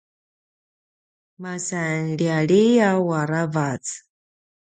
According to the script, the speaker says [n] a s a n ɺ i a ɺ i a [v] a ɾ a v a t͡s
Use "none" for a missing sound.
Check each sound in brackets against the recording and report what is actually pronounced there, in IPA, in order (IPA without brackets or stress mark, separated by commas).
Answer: m, w